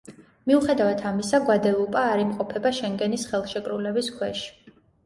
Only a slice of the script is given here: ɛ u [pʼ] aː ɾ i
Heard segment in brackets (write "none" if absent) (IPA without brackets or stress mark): pʼ